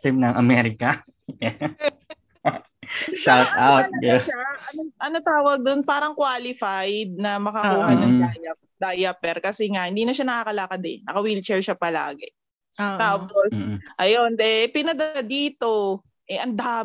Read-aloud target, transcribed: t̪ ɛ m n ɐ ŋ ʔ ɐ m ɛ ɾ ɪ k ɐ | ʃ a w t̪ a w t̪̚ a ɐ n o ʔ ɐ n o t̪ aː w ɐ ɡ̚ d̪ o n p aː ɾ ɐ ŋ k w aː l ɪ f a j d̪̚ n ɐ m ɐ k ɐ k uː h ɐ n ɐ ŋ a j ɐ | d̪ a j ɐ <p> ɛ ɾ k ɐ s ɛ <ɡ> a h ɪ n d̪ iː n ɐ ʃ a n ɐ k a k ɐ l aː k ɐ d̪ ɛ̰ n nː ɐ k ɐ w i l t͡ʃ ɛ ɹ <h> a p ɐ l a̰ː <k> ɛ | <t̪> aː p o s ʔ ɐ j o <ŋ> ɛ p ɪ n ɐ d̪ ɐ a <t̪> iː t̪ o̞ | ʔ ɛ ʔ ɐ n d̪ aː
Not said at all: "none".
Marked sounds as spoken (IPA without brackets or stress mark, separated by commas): p, ŋ, ʃ, ɡ, t̪, n, d̪